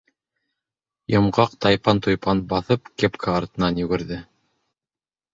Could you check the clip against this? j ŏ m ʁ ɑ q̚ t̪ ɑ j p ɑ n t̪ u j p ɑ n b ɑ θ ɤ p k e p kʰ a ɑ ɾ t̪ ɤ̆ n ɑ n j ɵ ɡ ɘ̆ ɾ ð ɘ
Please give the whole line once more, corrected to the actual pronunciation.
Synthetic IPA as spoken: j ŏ m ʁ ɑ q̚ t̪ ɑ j p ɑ n t̪ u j p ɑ n b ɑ θ ɤ p k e p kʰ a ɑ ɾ t̪ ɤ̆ n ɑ n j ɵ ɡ ɘ̆ ɾ ð ɘ